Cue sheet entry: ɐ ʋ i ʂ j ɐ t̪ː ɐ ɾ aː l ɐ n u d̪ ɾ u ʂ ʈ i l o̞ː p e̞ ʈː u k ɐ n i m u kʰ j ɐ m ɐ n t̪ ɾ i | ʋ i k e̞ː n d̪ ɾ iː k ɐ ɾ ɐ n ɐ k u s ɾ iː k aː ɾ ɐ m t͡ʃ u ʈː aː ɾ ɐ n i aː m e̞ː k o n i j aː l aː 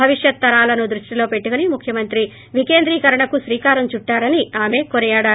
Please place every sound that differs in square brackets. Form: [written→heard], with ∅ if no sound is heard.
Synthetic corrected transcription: ɐ ʋ i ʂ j ɐ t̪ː ɐ ɾ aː l ɐ n u d̪ ɾ u ʂ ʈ i l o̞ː p e̞ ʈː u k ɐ n i m u kʰ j ɐ m ɐ n t̪ ɾ i | ʋ i k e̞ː n d̪ ɾ iː k ɐ ɾ ɐ [n→ɳ] ɐ k u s ɾ iː k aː ɾ ɐ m t͡ʃ u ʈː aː ɾ ɐ n i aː m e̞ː k o n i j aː [l→ɽ] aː